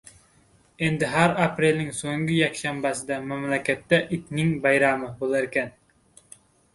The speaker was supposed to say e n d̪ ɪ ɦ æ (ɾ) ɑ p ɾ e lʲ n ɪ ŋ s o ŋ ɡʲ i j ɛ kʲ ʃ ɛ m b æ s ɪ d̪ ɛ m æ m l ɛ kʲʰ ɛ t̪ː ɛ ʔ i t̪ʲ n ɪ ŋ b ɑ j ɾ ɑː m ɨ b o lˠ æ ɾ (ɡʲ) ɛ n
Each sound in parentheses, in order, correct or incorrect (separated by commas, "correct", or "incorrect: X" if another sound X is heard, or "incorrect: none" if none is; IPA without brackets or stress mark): correct, incorrect: kʲ